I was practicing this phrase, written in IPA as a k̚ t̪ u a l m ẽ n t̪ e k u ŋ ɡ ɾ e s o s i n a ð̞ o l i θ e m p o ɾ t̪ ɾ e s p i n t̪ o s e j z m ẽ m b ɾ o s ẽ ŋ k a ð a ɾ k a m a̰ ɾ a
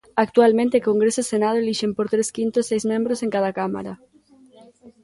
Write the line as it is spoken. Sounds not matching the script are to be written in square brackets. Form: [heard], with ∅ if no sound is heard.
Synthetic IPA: a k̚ t̪ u a l m ẽ n t̪ e k [o] ŋ ɡ ɾ e s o s [e] n a ð̞ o l i [ʃ] e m p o ɾ t̪ ɾ e s [k] i n t̪ o s e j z m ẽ m b ɾ o s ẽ ŋ k a ð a [∅] k a m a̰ ɾ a